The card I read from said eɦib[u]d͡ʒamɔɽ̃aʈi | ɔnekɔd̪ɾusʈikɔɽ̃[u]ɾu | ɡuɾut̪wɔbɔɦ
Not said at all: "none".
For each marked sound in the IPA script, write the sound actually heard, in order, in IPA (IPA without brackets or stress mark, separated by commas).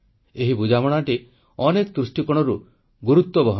u, ɔ